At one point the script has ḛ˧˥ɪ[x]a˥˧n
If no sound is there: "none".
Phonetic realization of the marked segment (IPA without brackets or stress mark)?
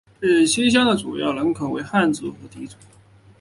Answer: x